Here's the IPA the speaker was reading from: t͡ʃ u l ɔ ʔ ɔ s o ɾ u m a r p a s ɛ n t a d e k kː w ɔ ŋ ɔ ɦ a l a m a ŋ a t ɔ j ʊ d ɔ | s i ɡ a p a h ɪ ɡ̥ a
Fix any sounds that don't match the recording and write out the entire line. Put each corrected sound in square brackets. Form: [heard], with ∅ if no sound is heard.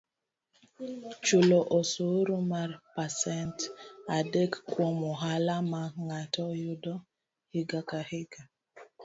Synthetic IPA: t͡ʃ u l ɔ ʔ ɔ s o ɾ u m a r p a s ɛ n t a d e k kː w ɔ [m] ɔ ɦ a l a m a ŋ a t ɔ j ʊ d ɔ | [h] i ɡ a [k] a h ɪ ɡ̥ a